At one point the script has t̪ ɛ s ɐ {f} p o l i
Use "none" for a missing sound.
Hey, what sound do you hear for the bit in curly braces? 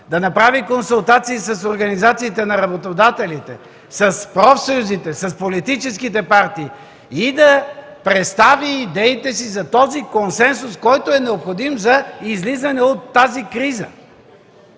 s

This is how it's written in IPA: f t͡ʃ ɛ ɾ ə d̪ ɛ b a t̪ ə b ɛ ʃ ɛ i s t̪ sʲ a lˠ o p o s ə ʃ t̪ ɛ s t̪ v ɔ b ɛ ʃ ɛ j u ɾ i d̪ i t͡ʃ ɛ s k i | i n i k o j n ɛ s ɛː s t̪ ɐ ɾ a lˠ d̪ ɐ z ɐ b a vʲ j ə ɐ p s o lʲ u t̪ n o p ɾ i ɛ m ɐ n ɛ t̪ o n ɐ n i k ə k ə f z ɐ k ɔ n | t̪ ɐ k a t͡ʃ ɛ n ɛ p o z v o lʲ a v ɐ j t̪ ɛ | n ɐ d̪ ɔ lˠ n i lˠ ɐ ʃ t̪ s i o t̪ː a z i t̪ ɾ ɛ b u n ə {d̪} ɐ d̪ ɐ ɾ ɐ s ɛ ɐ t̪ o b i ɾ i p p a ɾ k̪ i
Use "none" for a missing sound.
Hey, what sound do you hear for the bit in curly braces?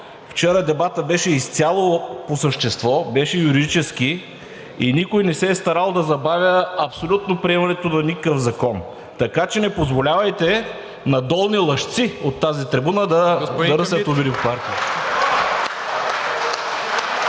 d̪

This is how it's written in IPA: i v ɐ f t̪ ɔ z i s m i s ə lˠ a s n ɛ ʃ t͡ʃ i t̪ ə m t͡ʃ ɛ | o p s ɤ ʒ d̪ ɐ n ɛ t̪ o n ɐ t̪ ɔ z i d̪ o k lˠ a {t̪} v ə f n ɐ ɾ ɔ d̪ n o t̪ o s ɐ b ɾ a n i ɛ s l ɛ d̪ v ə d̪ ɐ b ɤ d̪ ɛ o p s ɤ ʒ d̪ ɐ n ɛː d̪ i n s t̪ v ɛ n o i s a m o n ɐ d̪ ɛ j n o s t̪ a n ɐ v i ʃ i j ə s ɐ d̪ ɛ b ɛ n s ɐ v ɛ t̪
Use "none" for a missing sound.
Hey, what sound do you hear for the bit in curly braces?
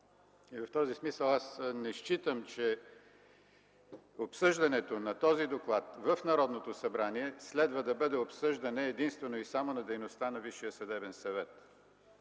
t̪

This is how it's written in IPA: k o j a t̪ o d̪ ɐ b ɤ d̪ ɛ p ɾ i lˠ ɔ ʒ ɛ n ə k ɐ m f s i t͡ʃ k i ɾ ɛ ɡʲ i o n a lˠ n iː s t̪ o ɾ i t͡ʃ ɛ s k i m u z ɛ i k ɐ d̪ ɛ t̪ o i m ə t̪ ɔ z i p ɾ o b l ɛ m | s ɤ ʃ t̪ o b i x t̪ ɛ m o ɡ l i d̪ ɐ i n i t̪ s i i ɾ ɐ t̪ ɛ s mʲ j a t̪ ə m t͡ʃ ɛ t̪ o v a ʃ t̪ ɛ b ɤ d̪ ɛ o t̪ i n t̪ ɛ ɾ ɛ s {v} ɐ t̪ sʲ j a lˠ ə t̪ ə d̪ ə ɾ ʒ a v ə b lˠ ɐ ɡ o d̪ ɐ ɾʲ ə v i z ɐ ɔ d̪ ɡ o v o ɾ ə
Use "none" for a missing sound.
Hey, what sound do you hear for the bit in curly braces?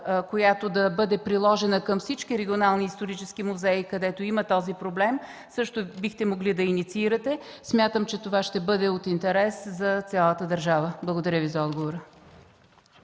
z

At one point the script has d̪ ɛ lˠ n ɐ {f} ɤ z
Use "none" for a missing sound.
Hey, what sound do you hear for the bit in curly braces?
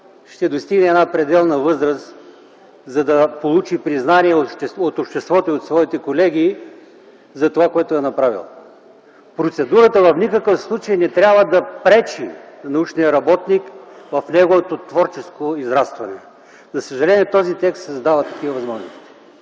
v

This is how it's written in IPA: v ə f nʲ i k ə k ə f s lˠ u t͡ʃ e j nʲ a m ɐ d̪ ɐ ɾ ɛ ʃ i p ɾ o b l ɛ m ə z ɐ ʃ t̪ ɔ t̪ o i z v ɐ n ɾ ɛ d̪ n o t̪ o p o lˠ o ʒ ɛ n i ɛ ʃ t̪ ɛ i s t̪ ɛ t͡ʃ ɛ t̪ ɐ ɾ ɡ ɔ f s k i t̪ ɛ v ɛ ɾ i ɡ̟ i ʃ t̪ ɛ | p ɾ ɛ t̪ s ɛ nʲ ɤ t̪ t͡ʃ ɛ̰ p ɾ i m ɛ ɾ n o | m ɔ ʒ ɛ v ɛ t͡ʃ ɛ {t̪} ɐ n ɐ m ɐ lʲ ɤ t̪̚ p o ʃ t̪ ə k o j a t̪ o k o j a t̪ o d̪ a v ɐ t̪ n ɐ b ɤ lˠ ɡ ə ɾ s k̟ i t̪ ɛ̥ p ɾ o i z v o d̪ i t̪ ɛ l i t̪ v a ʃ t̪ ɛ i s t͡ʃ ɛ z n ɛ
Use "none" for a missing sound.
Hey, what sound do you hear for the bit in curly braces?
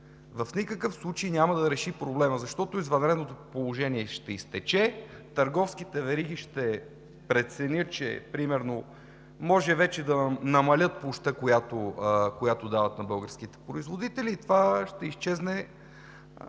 d̪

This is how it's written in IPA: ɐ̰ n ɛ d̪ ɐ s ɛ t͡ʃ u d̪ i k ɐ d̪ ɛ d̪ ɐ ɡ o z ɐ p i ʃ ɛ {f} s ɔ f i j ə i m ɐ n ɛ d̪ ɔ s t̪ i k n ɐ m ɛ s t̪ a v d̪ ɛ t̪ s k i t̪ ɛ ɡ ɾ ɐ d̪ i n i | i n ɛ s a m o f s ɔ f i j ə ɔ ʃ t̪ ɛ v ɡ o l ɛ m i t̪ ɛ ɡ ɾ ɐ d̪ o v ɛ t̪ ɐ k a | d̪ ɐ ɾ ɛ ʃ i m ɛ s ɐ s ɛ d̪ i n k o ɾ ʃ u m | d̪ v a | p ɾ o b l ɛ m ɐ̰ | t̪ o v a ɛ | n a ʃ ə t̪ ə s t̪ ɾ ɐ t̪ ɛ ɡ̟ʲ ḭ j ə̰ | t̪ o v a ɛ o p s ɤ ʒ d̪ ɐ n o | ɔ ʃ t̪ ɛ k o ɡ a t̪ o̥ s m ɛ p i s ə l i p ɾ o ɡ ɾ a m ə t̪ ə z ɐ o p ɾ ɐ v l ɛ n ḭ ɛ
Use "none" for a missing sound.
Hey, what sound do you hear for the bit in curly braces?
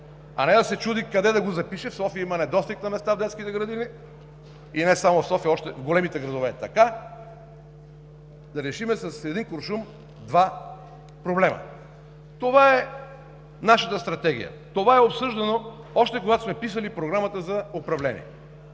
f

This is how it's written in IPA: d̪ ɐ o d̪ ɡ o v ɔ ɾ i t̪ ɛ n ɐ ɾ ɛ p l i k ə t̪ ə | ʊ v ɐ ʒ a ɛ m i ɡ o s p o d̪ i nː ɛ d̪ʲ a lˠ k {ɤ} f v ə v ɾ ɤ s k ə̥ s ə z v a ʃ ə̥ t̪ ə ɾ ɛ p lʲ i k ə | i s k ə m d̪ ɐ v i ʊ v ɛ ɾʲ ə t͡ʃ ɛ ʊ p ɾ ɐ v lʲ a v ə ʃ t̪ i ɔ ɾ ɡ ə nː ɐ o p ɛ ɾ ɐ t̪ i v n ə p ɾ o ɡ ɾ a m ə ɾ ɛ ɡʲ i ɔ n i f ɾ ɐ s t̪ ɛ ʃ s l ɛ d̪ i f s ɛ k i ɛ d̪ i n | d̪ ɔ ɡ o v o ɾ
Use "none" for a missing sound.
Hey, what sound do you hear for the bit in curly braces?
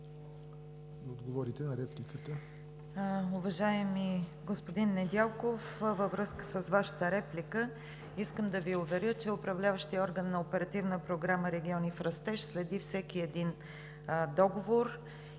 o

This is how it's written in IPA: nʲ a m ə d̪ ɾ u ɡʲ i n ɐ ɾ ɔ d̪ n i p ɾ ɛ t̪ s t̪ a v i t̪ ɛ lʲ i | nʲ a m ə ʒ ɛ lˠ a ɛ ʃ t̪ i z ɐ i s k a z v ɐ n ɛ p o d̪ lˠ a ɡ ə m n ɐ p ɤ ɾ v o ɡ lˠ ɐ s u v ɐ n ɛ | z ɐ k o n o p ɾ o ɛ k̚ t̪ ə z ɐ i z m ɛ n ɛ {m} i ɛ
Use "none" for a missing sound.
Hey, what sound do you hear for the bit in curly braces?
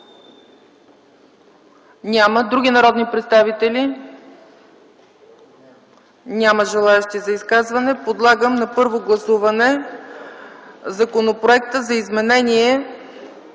n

